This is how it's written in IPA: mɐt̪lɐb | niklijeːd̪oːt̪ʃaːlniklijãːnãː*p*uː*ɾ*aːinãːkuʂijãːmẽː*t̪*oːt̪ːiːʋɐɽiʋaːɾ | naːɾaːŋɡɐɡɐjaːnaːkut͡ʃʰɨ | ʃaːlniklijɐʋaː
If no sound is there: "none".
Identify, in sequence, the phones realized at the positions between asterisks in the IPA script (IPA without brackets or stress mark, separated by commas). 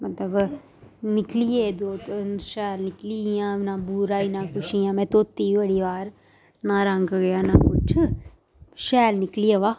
b, ɾ, t̪